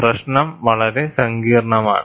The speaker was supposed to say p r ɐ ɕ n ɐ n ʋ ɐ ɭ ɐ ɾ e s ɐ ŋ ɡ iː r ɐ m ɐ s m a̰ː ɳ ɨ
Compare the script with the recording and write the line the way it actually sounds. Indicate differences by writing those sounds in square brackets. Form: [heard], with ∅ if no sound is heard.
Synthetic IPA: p r ɐ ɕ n ɐ [m] ʋ ɐ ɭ ɐ ɾ e s ɐ ŋ ɡ iː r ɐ [ɳ] ɐ [∅] m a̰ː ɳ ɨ